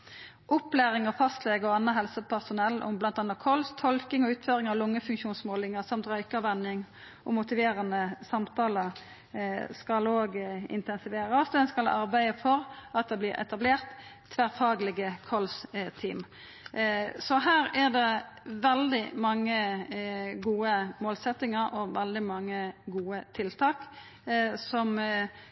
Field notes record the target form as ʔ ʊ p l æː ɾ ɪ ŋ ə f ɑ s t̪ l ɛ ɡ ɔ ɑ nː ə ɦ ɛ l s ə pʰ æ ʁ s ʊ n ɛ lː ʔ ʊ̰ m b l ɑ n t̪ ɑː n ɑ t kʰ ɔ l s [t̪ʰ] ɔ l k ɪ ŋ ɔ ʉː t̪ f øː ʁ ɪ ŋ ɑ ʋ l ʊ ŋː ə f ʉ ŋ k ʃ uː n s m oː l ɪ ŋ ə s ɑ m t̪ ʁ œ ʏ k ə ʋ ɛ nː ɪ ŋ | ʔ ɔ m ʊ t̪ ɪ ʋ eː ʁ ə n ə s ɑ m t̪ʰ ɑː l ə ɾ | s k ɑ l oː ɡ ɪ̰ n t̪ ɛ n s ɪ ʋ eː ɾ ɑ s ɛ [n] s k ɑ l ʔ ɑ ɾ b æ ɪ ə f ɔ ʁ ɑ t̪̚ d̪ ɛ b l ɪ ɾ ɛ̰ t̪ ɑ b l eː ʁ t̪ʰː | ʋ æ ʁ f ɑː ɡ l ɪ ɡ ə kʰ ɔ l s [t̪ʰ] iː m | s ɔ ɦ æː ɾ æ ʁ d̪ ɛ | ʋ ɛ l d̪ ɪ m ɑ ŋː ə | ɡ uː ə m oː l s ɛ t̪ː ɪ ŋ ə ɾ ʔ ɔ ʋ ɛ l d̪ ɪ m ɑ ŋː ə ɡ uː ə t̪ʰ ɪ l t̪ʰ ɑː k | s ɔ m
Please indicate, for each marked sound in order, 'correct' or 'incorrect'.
correct, correct, correct

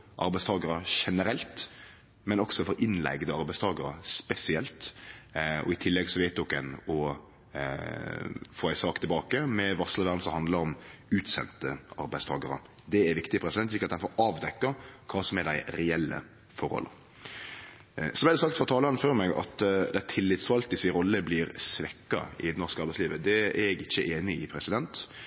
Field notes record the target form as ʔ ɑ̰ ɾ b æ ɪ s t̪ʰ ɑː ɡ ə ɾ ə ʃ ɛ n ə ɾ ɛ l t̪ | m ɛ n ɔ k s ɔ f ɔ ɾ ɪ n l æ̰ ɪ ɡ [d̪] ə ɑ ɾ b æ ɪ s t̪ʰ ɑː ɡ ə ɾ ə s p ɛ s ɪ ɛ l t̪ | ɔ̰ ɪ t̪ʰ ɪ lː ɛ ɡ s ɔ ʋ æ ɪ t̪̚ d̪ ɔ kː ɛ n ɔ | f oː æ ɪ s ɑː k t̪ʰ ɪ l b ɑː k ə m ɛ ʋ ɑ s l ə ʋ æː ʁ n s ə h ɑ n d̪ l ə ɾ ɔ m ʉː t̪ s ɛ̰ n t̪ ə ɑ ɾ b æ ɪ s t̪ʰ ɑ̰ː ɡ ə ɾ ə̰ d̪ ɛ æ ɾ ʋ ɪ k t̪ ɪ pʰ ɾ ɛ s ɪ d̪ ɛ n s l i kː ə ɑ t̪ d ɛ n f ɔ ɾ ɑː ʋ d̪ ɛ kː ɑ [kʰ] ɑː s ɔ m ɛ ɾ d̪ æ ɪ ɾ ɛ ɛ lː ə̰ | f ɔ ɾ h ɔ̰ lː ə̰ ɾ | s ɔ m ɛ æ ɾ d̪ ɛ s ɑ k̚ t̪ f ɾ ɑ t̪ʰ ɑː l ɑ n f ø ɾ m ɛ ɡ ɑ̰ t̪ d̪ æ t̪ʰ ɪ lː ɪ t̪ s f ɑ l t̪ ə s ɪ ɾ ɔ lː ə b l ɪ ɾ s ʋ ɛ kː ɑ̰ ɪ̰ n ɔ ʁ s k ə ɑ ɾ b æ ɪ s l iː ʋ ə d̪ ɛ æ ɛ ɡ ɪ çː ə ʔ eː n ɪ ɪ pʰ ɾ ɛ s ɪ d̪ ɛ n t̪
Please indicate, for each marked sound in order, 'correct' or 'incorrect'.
correct, correct

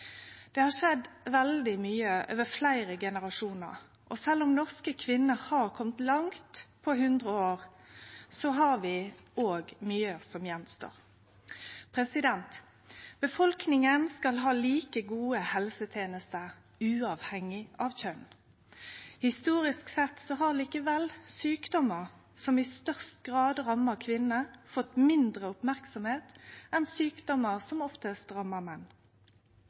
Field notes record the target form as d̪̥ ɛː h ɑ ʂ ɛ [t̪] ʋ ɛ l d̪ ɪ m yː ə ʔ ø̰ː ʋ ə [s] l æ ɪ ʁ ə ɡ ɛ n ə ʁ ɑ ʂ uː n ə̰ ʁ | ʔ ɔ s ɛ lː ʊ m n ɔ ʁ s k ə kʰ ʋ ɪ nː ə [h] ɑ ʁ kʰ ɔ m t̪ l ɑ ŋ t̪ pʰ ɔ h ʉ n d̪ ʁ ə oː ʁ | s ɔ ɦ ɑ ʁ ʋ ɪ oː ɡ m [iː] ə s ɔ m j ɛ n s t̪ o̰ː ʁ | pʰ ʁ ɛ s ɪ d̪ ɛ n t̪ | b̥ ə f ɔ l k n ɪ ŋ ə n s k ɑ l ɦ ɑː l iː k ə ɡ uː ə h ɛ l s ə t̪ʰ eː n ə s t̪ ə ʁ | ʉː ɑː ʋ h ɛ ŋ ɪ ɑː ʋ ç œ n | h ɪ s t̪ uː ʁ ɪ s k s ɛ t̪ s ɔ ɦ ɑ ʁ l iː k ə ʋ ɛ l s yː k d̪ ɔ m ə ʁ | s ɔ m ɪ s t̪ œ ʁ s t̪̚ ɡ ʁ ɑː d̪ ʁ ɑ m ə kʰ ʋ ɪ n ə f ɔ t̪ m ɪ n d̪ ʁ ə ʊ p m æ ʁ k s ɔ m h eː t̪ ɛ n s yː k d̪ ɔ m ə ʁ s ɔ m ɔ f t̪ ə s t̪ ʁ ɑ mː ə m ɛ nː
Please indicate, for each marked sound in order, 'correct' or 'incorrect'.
incorrect: d̪, incorrect: f, correct, incorrect: yː

